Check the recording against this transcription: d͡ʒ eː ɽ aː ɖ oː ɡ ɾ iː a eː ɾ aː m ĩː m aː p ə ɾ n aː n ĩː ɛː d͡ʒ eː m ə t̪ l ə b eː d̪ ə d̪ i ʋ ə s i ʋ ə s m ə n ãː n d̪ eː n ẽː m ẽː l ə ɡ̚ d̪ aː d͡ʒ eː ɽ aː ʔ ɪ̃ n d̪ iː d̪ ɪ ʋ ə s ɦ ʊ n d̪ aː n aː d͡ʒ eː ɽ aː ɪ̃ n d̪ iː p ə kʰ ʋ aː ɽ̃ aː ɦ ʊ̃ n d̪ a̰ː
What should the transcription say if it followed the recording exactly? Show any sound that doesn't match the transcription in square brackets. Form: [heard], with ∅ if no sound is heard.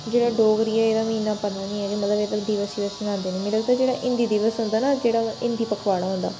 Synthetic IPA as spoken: d͡ʒ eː ɽ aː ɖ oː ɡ ɾ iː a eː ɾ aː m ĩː [n] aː p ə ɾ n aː n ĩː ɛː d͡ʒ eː m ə t̪ l ə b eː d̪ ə d̪ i ʋ ə s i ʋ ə s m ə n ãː n d̪ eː n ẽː m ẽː l ə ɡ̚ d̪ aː d͡ʒ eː ɽ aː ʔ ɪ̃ n d̪ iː d̪ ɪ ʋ ə s ɦ ʊ n d̪ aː n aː d͡ʒ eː ɽ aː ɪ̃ n d̪ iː p ə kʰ ʋ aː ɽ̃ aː ɦ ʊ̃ n d̪ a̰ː